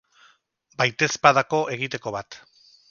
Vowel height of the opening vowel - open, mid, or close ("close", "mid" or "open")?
open